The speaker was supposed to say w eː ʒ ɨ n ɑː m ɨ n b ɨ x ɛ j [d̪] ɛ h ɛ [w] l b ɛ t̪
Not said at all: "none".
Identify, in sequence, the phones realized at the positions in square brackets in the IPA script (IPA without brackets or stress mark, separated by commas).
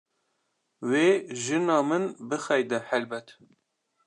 d̪, none